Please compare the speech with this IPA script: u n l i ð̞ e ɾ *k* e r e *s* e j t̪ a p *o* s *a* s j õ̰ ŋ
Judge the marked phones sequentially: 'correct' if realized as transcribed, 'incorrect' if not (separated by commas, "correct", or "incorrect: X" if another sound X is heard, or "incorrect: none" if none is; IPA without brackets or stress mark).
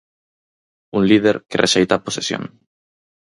correct, incorrect: ʃ, correct, incorrect: e